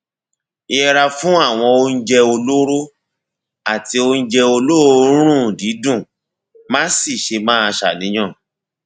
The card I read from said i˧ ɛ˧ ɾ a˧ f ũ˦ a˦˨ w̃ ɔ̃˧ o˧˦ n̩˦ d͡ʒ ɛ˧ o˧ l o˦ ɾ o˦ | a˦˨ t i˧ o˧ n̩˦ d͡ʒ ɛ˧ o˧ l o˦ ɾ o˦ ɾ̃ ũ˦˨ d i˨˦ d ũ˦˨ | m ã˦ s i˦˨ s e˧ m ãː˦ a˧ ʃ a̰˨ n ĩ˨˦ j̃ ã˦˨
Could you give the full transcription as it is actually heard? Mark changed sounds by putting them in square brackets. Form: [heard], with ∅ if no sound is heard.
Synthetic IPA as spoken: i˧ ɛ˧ ɾ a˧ f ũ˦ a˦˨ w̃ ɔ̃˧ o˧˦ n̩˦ d͡ʒ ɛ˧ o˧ l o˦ ɾ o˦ | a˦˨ t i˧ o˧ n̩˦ d͡ʒ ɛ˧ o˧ l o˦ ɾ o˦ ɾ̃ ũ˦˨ d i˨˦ d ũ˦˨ | m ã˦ s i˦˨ [ʃ] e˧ m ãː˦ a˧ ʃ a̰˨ n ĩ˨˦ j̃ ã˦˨